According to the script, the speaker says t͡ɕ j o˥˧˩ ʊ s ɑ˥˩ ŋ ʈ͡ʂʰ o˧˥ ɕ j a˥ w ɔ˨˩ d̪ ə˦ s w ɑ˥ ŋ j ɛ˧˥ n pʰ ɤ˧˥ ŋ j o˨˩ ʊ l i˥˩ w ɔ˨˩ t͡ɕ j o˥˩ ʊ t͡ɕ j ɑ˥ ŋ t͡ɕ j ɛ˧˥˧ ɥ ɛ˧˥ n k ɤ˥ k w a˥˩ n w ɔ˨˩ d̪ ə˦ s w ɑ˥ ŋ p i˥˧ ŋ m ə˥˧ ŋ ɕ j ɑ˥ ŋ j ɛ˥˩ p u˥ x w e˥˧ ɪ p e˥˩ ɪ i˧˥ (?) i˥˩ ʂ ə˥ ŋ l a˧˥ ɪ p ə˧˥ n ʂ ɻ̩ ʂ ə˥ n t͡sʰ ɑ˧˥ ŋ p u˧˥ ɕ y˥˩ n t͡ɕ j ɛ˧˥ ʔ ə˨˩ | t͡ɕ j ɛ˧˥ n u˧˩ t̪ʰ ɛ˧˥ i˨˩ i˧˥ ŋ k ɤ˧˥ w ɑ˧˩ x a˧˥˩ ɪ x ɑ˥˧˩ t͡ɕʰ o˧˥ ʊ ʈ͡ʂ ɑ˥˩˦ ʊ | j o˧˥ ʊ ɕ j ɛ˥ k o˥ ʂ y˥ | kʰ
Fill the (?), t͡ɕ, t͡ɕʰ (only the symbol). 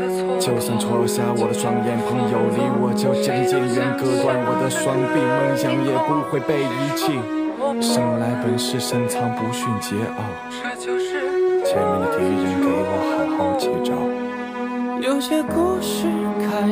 t͡ɕʰ